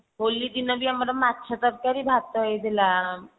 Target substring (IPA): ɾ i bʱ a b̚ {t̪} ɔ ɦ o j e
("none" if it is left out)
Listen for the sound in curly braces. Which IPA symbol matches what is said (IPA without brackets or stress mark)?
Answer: t̪